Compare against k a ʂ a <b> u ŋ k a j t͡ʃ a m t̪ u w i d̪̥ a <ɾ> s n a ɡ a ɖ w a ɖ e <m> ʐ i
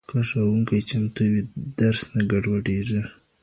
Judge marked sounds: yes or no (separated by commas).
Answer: no, yes, no